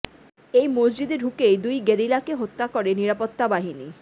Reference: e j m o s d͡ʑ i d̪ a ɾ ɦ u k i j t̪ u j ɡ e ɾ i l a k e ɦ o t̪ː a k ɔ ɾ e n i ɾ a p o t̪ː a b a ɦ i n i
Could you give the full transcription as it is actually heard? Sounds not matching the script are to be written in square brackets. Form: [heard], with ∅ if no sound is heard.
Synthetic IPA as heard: e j m o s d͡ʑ i d̪ [e] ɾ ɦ u k [e] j [d̪] u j ɡ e ɾ i l a k e ɦ o t̪ː a k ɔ ɾ e n i ɾ a p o t̪ː a b a ɦ i n i